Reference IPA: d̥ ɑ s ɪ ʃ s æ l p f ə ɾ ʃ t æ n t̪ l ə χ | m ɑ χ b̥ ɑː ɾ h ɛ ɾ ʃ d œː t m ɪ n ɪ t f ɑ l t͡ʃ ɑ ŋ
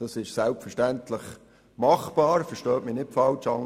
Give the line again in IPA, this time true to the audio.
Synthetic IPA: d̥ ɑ s ɪ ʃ s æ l p f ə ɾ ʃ t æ n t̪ l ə χ | m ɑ χ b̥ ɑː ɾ f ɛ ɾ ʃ t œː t m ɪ n ɪ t f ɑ l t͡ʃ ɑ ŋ